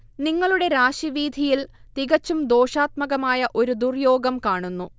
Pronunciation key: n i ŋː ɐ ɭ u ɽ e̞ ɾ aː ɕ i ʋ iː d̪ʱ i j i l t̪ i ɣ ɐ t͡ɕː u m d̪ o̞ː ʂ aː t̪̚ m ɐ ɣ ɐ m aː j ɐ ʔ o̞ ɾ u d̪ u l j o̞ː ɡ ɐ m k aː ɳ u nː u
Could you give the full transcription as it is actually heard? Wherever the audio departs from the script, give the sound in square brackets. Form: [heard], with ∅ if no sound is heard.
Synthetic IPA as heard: n i ŋː ɐ ɭ u ɽ e̞ ɾ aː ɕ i ʋ iː d̪ʱ i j i l t̪ i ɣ ɐ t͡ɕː u m d̪ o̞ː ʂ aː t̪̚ m ɐ ɣ ɐ m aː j ɐ ʔ o̞ ɾ u d̪ u [r] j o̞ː ɡ ɐ m k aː ɳ u nː u